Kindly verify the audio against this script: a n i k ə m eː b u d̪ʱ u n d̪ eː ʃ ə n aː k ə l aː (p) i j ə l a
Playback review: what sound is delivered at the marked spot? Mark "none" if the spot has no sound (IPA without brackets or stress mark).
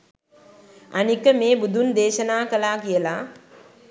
k